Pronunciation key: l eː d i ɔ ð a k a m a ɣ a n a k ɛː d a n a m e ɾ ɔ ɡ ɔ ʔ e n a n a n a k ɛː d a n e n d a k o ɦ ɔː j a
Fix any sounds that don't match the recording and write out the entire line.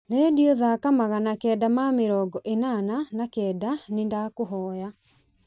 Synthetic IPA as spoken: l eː d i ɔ ð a k a m a ɣ a n a k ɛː d a m a m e ɾ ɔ ɡ ɔ ʔ e n a n a n a k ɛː d a n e n d a k o ɦ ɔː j a